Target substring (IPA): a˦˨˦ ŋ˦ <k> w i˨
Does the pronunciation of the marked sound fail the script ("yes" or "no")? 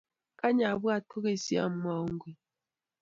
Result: yes